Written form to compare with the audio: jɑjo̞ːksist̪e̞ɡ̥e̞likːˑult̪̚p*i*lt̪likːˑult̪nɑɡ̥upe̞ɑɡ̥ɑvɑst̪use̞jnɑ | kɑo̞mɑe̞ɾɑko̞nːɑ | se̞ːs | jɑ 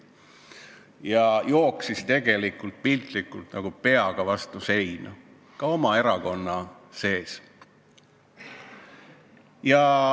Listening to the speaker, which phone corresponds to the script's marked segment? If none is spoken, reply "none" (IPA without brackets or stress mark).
i